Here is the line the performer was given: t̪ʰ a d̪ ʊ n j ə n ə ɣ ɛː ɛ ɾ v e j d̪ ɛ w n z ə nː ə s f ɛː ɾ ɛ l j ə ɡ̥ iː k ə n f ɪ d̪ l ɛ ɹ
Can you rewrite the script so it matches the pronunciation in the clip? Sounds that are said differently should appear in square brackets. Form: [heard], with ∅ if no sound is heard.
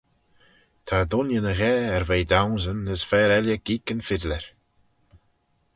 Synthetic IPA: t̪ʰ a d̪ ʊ n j ə n ə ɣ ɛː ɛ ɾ v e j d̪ [a] w n z ə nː ə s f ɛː ɾ ɛ l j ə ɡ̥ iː k ə n f ɪ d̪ l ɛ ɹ